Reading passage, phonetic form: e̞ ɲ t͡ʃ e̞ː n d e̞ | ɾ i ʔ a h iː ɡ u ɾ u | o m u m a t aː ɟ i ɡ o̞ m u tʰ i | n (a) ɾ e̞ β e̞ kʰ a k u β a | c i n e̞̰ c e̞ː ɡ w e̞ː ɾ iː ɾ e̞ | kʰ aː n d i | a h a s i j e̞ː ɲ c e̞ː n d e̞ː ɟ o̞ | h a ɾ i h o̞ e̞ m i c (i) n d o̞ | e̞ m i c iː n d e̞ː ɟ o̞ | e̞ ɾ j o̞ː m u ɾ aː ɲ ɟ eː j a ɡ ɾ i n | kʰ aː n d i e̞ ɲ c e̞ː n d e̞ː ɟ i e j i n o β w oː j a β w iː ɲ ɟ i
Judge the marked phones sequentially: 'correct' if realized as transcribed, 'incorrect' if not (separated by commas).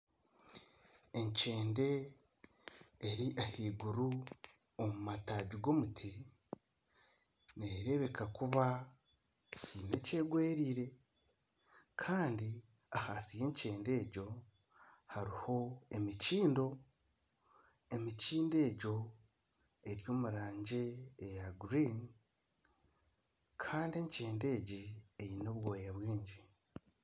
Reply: incorrect, incorrect